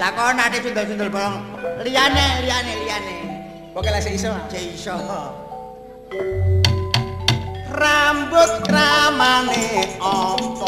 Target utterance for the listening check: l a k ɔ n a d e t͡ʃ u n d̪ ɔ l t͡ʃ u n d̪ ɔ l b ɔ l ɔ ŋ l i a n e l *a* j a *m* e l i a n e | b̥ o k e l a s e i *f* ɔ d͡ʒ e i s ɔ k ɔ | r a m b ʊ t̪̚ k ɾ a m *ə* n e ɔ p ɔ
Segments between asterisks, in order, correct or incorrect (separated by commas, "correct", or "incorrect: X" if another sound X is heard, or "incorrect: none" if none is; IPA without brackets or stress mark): incorrect: i, incorrect: n, incorrect: s, incorrect: a